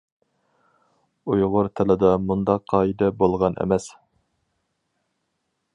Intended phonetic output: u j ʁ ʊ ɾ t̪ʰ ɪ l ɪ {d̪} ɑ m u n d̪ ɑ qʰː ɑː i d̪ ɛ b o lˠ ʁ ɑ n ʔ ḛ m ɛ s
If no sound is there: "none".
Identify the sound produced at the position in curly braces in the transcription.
d̪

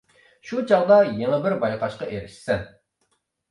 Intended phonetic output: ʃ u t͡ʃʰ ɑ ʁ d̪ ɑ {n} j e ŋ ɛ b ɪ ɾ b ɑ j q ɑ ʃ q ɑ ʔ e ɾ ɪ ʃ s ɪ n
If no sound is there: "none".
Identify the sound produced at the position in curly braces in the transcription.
none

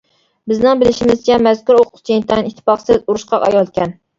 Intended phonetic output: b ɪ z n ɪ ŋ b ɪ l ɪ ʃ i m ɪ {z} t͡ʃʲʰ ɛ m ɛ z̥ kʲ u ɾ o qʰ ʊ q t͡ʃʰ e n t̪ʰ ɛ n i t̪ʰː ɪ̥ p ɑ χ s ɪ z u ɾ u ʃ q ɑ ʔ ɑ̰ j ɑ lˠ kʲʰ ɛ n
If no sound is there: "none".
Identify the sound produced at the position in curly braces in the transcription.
z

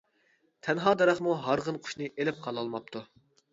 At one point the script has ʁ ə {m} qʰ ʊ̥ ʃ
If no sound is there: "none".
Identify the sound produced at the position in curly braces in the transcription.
n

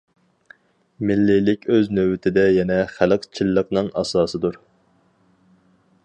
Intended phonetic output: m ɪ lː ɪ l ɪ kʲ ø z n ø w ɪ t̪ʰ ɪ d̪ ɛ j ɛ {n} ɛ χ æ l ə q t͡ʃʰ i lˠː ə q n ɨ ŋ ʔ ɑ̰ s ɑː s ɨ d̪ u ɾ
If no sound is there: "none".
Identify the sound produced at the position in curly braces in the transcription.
n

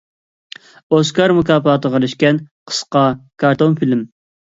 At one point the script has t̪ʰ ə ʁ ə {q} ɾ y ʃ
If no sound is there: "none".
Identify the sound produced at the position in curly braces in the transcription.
none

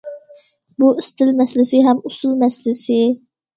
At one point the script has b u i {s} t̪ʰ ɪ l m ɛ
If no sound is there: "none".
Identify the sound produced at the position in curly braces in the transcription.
s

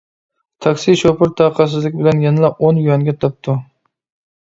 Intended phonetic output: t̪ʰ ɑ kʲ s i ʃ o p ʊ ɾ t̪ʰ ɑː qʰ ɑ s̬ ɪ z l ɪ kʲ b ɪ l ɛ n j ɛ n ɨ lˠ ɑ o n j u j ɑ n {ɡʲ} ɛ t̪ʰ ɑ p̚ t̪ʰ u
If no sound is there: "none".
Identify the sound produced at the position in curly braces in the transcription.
ɡʲ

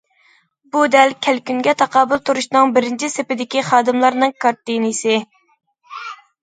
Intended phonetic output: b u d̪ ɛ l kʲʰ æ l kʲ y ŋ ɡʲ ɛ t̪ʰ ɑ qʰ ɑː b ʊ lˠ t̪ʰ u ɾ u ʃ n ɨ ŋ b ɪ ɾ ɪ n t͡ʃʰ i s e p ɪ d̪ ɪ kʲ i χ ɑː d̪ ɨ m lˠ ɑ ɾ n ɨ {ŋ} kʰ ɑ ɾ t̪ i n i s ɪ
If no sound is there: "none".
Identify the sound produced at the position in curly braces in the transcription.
ŋ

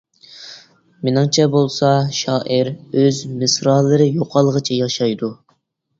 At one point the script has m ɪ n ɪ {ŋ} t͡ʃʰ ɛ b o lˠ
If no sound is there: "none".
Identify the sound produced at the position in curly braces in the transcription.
ŋ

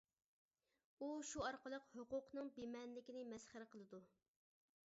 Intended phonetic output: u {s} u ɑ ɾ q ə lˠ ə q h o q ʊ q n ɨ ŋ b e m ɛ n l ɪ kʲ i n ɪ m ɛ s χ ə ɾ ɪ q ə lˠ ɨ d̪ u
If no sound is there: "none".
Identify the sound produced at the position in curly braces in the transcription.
ʃ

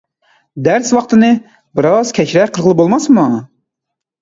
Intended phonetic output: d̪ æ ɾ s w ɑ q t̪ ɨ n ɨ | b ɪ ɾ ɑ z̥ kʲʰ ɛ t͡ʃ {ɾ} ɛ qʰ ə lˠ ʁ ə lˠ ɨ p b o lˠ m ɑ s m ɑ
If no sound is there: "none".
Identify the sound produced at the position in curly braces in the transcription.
ɾ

